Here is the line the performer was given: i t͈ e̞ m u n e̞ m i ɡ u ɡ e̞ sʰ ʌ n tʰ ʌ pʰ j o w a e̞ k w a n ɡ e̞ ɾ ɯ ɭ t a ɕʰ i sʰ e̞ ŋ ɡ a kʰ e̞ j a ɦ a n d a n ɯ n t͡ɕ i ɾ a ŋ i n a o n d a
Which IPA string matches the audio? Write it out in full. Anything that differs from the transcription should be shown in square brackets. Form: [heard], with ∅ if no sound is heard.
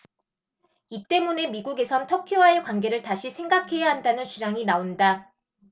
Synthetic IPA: i t͈ e̞ m u n e̞ m i ɡ u ɡ e̞ sʰ ʌ n tʰ ʌ [kʰ] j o w a e̞ k w a n ɡ e̞ ɾ ɯ ɭ t a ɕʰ i sʰ e̞ ŋ ɡ a kʰ e̞ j a ɦ a n d a n ɯ n t͡ɕ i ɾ a ŋ i n a o n d a